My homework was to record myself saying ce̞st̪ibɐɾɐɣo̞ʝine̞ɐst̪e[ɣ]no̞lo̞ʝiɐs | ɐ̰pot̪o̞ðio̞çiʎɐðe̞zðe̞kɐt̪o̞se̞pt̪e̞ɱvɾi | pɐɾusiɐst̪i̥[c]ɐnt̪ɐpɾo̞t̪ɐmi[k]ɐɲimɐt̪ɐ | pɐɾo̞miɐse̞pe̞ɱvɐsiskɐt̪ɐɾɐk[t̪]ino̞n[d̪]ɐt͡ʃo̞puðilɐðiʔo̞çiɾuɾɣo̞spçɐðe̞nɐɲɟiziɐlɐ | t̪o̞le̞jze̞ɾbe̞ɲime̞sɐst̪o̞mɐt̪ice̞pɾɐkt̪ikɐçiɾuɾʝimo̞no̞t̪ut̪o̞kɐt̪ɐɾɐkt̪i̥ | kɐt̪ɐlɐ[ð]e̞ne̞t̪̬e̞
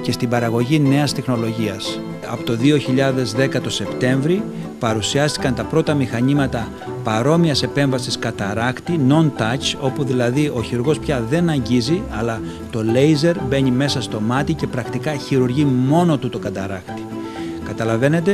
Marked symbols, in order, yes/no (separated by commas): no, no, no, yes, no, no